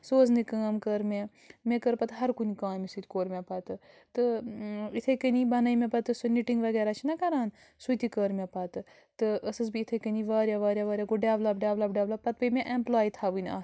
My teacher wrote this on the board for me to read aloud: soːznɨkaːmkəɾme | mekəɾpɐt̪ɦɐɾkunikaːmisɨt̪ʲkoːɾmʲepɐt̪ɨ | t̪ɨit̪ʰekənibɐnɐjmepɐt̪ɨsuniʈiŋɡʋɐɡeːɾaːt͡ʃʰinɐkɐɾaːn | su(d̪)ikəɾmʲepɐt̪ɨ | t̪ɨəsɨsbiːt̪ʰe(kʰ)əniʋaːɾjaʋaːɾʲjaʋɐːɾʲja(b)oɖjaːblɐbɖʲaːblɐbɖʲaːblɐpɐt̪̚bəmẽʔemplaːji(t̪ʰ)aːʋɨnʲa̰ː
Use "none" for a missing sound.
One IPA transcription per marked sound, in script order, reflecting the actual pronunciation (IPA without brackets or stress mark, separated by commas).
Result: t̪, k, ɡ, t̪ʰ